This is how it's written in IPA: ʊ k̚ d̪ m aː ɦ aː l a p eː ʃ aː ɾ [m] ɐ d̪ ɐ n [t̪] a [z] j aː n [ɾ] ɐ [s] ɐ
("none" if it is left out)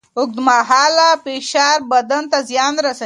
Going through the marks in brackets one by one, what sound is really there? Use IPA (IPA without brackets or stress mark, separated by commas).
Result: b, t̪, z, ɾ, s